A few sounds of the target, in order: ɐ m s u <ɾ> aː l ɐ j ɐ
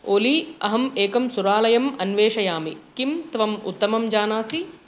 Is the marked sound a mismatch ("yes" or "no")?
no